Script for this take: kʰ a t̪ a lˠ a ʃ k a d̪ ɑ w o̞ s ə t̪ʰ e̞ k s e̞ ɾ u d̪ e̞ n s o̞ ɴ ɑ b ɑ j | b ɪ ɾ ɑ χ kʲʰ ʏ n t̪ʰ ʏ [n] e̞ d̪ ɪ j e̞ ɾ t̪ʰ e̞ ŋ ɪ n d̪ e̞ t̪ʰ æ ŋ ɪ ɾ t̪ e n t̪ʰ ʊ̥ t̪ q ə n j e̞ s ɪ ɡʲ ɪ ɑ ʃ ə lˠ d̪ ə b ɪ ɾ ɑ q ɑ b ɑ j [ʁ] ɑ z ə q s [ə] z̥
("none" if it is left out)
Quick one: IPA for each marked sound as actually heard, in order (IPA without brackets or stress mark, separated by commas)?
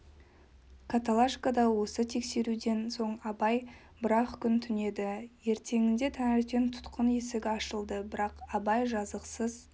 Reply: n, ʒ, ə